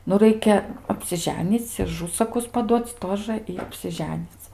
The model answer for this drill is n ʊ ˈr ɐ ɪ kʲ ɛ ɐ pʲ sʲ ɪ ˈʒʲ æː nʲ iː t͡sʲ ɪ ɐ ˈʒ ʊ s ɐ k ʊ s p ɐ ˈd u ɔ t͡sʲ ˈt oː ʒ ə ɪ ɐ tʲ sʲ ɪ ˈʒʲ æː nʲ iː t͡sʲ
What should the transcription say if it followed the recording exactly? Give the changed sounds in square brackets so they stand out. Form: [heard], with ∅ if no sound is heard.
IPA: n ʊ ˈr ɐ ɪ kʲ ɛ ɐ pʲ sʲ ɪ ˈʒʲ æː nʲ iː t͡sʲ ɪ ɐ ˈʒ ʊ s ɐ k ʊ s p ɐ ˈd u ɔ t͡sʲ ˈt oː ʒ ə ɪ ɐ [pʲ] sʲ ɪ ˈʒʲ æː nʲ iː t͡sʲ